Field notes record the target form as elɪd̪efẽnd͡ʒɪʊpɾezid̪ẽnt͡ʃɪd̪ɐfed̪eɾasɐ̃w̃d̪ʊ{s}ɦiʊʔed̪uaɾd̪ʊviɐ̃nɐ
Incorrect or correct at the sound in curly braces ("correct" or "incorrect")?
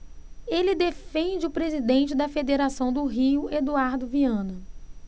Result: incorrect